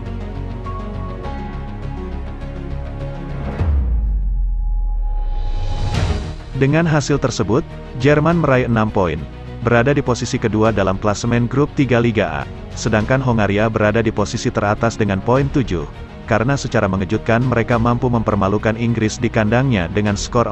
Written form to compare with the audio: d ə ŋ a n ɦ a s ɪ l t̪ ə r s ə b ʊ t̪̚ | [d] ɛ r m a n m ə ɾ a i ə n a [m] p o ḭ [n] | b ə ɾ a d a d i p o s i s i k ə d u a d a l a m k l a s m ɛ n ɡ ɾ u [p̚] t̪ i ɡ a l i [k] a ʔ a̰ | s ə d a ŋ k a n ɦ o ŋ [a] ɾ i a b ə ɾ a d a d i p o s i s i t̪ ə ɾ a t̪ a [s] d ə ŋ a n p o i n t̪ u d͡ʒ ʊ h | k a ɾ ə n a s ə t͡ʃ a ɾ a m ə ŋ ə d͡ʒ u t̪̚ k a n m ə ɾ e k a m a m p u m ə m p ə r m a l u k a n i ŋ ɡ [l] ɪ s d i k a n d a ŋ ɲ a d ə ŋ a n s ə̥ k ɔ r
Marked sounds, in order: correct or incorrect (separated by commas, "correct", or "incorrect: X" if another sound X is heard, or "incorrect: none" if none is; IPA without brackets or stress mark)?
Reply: incorrect: d͡ʒ, correct, correct, correct, incorrect: ɡ, correct, correct, incorrect: ɾ